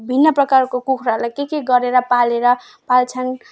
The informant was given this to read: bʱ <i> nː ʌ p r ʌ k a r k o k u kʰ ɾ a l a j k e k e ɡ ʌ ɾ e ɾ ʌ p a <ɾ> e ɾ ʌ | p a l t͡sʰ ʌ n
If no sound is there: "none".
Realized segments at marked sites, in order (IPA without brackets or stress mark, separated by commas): i, l